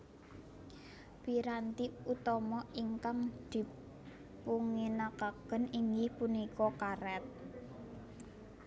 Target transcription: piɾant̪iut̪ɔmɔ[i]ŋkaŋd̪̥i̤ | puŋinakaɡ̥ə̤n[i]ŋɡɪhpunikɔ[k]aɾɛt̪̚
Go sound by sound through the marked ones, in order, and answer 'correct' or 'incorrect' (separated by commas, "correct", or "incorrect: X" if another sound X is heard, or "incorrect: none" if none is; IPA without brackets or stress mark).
correct, correct, correct